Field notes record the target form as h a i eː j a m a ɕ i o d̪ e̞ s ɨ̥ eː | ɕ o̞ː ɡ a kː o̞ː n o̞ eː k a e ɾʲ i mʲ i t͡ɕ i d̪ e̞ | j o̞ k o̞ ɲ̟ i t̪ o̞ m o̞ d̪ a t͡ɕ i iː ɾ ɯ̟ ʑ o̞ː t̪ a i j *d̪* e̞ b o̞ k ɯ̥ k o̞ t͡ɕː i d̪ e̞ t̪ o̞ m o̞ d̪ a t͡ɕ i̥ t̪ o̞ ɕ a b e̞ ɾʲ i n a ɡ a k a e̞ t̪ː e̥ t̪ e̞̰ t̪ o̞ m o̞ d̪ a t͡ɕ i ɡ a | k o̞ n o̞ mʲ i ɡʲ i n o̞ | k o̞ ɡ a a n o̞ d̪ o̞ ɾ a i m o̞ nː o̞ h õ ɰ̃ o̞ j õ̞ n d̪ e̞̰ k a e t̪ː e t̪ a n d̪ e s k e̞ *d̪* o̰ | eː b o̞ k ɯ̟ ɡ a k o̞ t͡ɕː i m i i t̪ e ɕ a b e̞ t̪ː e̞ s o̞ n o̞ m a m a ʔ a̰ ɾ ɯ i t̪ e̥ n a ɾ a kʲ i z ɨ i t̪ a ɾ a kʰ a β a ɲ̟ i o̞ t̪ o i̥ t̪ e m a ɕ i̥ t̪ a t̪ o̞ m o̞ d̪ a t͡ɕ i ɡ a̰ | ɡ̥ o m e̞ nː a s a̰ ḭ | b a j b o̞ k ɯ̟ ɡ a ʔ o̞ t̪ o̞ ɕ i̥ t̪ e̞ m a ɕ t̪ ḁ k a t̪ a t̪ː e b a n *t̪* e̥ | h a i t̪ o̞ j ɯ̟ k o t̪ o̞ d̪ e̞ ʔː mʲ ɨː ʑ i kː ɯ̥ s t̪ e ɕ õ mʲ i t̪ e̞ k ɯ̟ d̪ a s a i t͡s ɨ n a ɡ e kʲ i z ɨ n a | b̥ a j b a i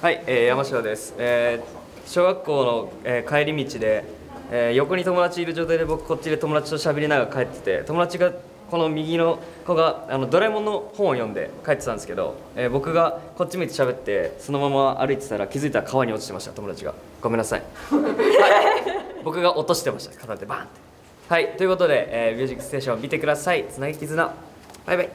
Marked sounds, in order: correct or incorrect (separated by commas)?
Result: correct, correct, correct